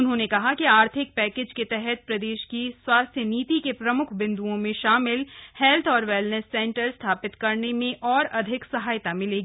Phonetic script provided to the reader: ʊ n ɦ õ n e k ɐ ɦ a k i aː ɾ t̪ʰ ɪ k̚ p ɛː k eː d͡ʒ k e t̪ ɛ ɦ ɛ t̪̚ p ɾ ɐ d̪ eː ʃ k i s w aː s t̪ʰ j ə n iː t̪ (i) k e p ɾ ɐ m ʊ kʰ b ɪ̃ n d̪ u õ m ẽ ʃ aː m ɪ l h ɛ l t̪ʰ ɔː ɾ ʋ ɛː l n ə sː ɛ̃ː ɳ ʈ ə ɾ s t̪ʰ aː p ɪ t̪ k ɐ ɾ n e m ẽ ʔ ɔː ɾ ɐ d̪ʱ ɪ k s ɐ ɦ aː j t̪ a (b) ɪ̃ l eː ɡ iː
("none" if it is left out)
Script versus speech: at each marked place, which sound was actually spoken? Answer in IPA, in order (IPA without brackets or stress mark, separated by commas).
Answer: i, m